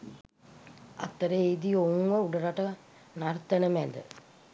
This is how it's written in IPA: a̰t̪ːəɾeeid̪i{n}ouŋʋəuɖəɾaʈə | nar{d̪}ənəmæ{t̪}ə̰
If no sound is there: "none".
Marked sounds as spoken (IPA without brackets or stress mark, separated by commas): none, t̪, d̪